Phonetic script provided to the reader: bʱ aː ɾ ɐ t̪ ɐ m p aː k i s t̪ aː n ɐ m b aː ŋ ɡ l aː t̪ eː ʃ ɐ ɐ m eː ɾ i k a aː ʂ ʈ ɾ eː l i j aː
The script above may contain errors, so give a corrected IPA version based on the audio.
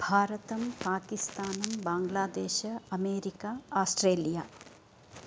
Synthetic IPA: bʱ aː ɾ ɐ t̪ ɐ m p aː k i s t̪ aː n ɐ m b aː ŋ ɡ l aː d̪ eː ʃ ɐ ɐ m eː ɾ i k a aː s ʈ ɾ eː l i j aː